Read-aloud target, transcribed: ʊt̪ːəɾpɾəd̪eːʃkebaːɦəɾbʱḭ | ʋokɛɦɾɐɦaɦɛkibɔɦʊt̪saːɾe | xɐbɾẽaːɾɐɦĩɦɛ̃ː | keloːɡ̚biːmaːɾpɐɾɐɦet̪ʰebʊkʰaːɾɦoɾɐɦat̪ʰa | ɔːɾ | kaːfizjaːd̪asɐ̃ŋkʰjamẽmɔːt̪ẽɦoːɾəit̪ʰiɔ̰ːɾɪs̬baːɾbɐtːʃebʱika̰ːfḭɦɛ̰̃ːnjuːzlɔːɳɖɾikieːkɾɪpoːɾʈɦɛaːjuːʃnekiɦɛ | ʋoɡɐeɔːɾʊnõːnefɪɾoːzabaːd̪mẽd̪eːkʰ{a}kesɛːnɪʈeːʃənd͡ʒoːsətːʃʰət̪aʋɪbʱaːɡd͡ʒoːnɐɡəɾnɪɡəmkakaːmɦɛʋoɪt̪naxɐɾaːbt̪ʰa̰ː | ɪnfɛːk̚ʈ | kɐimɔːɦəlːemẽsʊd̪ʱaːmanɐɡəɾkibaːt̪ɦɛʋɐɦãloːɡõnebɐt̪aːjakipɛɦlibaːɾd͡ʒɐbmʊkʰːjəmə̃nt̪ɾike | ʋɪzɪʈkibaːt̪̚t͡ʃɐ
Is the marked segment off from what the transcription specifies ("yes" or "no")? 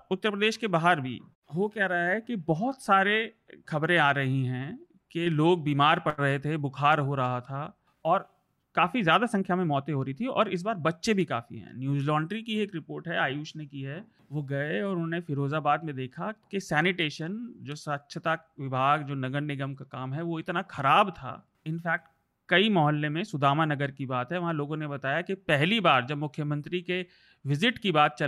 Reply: no